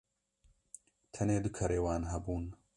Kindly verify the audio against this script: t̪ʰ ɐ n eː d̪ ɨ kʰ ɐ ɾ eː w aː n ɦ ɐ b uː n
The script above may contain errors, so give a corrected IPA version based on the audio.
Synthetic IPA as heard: t̪ʰ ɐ n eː d̪ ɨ kʰ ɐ ɾ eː w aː n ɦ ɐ b uː n

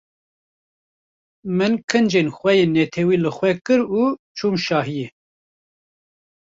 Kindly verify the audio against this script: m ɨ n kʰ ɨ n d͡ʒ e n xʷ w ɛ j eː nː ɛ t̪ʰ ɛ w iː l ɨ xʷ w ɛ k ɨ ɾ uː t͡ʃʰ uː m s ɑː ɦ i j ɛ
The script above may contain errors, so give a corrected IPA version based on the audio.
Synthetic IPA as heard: m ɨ n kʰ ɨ n d͡ʒ e n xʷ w ɛ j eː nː ɛ t̪ʰ ɛ w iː l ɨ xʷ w ɛ k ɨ ɾ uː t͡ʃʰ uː m ʃ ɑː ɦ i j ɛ

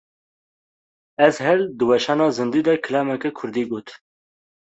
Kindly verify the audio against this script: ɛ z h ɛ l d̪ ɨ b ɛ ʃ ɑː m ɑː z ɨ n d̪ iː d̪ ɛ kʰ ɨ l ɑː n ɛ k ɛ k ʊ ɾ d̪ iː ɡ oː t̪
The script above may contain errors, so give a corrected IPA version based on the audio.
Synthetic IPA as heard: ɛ z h ɛ l d̪ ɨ w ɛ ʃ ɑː n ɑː z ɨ n d̪ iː d̪ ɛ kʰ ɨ l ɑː m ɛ k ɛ kʰ ʊ ɾ d̪ iː ɡ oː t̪

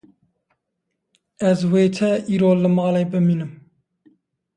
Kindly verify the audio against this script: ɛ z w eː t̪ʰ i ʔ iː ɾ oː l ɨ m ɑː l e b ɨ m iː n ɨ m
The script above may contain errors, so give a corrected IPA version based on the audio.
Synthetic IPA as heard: ɛ z w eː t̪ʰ ɛ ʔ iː ɾ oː l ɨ m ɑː l e b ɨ m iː n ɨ m

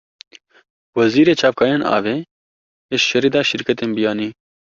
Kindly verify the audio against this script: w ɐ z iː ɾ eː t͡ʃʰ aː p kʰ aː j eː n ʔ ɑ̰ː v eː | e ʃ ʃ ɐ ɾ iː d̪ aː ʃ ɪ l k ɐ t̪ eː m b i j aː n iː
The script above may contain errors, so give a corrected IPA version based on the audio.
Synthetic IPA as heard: w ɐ z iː ɾ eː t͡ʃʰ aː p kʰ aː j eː n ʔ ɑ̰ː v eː | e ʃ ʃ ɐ ɾ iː d̪ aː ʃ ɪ ɾ k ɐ t̪ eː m b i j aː n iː

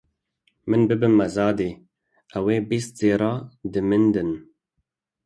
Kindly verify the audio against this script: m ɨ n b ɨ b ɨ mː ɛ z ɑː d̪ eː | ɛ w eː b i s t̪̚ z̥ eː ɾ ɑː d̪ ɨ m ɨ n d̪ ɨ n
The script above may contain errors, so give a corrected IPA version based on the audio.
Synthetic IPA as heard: m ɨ n b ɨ b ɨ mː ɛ z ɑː d̪ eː | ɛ w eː b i s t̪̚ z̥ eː ɾ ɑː d̪ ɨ m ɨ n d̪ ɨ n

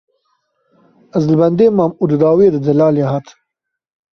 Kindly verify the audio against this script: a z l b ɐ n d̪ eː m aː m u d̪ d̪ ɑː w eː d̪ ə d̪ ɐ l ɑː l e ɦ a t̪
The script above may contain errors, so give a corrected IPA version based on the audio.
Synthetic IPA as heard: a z l b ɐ n d̪ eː m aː m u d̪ d̪ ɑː w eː d̪ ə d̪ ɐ l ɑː l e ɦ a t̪

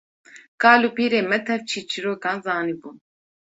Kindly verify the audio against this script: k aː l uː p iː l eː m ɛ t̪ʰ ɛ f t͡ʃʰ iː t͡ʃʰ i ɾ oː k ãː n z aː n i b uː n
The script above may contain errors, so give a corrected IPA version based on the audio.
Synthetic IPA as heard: k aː l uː p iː ɾ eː m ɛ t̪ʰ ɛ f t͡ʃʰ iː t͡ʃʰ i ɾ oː k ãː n z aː n i b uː n

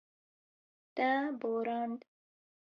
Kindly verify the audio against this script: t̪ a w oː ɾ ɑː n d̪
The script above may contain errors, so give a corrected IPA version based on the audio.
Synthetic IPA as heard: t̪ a b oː ɾ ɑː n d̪

